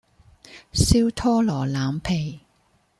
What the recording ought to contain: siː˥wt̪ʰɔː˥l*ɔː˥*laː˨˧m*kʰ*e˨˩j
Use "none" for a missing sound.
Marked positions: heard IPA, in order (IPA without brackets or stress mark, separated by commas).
ɔː˨˩, pʰ